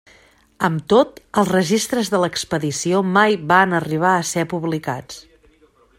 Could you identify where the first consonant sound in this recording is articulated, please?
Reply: labial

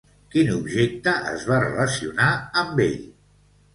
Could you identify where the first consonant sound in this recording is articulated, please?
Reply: velar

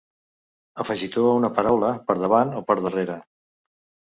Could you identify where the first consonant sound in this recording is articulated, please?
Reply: labial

